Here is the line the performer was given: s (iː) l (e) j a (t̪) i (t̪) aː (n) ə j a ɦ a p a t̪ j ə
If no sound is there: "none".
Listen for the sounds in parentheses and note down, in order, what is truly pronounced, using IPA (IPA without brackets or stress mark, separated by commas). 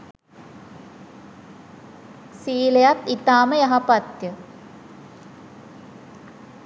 iː, e, t̪, t̪, m